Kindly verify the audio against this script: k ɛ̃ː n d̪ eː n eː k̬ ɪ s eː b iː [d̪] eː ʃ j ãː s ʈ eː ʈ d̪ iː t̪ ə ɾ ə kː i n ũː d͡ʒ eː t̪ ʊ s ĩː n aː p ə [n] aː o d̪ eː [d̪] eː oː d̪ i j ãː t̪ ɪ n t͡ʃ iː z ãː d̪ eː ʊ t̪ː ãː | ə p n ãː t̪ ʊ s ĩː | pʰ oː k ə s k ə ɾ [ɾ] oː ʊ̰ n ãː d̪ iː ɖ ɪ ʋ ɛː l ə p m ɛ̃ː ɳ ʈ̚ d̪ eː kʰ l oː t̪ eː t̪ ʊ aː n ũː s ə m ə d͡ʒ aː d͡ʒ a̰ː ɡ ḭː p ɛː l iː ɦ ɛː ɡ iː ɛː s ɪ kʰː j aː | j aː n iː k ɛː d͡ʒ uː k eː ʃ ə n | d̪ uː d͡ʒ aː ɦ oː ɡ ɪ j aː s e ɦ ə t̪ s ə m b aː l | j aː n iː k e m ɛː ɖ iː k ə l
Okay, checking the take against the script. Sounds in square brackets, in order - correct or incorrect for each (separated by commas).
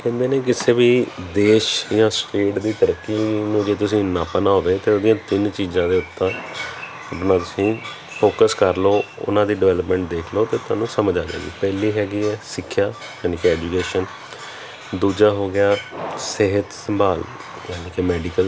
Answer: correct, correct, incorrect, incorrect